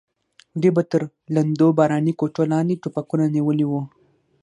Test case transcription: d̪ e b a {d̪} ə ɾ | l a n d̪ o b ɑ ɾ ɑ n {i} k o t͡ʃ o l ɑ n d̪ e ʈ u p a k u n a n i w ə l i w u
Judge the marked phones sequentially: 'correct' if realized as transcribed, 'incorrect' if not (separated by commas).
incorrect, correct